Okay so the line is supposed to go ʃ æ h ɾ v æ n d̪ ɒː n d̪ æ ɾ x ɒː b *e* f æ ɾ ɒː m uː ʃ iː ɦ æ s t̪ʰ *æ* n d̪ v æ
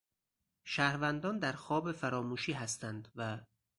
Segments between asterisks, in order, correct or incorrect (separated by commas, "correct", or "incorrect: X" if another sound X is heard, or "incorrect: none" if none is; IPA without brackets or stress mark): correct, correct